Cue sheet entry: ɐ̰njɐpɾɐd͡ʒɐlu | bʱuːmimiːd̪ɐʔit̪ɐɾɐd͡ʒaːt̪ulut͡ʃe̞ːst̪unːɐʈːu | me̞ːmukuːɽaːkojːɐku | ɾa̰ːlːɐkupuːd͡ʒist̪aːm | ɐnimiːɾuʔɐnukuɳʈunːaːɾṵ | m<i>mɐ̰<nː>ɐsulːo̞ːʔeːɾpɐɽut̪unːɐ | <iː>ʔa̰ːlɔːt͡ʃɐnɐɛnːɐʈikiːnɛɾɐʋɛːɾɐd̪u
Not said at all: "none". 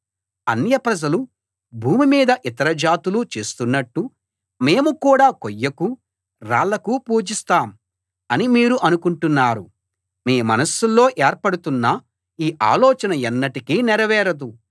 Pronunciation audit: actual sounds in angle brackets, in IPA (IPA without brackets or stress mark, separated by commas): iː, n, iː